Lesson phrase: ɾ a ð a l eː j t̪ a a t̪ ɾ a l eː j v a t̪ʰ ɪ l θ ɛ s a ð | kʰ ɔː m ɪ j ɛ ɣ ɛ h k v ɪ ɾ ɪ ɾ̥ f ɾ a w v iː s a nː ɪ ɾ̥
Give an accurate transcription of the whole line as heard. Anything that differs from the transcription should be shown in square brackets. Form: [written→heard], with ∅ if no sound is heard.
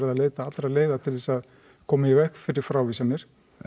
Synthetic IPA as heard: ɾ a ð a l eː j t̪ a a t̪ ɾ a l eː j [v→ð] a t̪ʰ ɪ l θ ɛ s a ð | kʰ ɔː m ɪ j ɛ [ɣ→v] ɛ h k [v→f] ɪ ɾ ɪ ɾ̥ f ɾ a w v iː s a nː ɪ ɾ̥